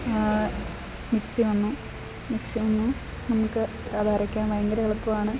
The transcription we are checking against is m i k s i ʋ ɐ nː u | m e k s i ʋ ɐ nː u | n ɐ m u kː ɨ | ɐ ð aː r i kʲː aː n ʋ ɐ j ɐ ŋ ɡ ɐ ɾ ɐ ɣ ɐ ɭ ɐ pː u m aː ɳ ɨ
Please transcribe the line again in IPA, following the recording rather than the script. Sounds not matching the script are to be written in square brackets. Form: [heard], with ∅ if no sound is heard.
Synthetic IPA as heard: m i k s i ʋ ɐ nː u | m [i] k s i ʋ ɐ nː u | n ɐ m u kː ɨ | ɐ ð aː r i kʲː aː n ʋ ɐ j ɐ ŋ ɡ ɐ ɾ ɐ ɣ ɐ ɭ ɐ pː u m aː ɳ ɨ